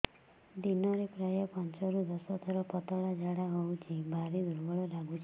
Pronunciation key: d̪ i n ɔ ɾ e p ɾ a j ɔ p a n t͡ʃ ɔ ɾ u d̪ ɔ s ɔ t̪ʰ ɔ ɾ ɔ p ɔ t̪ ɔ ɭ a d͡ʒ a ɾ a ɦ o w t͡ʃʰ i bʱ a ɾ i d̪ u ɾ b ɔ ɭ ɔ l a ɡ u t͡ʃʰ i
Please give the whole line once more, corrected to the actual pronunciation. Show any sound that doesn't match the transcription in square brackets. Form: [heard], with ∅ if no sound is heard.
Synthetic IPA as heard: d̪ i n ɔ ɾ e p ɾ a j ɔ p a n t͡ʃ ɔ ɾ u d̪ ɔ s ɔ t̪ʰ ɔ ɾ ɔ p ɔ t̪ ɔ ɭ a d͡ʒ a [ɽ] a ɦ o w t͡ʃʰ i bʱ a ɾ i d̪ u ɾ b ɔ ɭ ɔ l a ɡ u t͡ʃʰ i

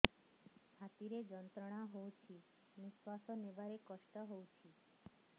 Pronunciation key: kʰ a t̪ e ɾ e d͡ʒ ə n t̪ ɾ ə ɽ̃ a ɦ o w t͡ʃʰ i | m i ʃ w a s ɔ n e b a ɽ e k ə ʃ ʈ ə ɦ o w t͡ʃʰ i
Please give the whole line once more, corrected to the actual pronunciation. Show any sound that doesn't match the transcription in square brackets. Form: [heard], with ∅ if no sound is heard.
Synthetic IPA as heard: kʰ a t̪ [i] ɾ e d͡ʒ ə n t̪ ɾ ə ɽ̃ a ɦ o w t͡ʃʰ i | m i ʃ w a s ɔ n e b a [ɾ] e k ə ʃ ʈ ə ɦ o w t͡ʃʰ i

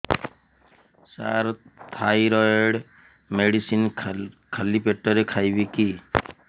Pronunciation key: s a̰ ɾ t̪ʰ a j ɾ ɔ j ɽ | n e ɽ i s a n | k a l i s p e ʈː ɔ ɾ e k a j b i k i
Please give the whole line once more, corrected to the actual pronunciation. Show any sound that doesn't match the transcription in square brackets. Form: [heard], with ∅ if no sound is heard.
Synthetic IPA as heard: s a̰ ɾ t̪ʰ a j ɾ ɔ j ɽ | [m] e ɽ i s [i] n | [kʰ] a l i [∅] p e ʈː ɔ ɾ e [kʰ] a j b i k i

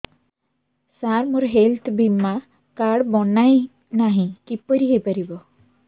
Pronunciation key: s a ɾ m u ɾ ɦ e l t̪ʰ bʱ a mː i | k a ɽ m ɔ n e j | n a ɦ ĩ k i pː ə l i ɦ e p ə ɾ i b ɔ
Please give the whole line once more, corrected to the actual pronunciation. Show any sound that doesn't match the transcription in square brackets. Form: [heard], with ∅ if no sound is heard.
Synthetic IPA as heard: s a ɾ m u ɾ ɦ e l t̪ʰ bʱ [i] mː [a] | k a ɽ [b] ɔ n [a] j | n a ɦ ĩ k i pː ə [ɾ] i ɦ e p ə ɾ i b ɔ

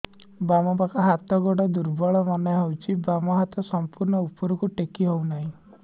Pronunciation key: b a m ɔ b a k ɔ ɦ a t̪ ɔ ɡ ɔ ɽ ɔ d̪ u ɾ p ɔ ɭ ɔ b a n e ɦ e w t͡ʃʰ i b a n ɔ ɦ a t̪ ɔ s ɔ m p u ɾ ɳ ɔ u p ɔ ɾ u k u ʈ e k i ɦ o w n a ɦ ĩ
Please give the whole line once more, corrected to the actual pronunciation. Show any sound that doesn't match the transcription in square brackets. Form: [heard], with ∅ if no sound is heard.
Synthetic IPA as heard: b a m ɔ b a k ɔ ɦ a t̪ ɔ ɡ ɔ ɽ ɔ d̪ u ɾ [b] ɔ ɭ ɔ [m] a n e ɦ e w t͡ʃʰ i b a [m] ɔ ɦ a t̪ ɔ s ɔ m p u ɾ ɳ ɔ u p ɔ ɾ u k u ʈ e k i ɦ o w n a ɦ ĩ

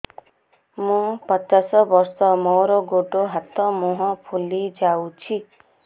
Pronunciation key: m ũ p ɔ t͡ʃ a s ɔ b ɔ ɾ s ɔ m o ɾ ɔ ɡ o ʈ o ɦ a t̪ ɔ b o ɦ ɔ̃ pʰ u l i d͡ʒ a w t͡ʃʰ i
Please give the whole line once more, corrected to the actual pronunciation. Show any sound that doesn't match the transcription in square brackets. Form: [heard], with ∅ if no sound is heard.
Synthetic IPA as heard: m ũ p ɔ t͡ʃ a s ɔ b ɔ ɾ s ɔ m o ɾ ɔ ɡ o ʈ o ɦ a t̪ ɔ [m] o ɦ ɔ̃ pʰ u l i d͡ʒ a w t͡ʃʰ i

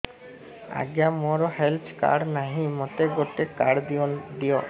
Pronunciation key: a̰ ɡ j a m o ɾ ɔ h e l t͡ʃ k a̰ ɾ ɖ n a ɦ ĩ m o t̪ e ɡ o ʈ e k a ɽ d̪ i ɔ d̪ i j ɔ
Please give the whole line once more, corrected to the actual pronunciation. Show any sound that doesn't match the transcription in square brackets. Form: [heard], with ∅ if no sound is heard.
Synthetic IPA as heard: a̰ ɡ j a m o ɾ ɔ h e l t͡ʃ k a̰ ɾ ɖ n a ɦ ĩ m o t̪ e ɡ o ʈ e k a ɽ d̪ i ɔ d̪ i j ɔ

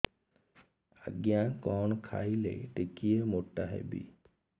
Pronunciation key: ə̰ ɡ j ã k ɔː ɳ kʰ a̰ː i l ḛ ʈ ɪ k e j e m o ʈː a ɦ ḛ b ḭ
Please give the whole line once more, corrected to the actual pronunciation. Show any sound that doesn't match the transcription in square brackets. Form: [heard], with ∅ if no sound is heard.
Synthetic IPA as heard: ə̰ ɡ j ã k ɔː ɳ kʰ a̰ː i l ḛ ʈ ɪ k [i] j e m o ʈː a ɦ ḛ b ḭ

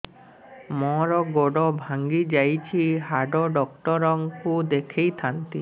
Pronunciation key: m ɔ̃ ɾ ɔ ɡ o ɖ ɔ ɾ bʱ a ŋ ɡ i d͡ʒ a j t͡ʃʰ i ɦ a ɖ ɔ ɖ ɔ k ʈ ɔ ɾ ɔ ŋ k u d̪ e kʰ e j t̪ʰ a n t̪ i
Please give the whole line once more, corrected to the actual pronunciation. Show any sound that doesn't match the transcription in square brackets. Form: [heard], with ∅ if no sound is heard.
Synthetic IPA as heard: m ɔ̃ ɾ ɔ ɡ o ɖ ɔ [∅] bʱ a ŋ ɡ i d͡ʒ a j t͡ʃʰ i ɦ a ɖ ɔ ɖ ɔ k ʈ ɔ ɾ ɔ ŋ k u d̪ e kʰ e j t̪ʰ a n t̪ i

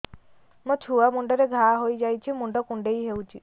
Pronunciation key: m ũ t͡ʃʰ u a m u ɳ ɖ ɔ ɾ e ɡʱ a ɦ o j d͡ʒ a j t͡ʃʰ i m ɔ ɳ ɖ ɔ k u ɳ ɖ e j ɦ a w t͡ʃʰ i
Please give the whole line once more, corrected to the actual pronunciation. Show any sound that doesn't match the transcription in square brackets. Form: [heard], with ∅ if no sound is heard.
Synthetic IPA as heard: m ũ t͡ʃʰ u a m u ɳ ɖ ɔ ɾ e ɡʱ a ɦ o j d͡ʒ a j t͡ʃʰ i m [u] ɳ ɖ ɔ k u ɳ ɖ e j ɦ [e] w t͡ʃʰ i

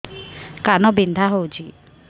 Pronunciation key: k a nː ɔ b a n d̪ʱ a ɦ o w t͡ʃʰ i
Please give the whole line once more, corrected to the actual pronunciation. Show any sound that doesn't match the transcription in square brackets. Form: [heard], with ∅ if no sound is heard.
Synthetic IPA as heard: k a [n] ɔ b [i] n d̪ʱ a ɦ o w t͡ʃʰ i

